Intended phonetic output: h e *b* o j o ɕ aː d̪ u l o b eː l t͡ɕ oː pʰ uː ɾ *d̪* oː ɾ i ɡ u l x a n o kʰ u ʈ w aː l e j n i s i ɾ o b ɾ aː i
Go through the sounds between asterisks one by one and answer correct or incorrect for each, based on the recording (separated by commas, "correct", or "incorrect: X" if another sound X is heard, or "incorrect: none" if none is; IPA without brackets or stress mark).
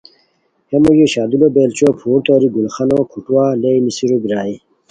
incorrect: m, incorrect: t̪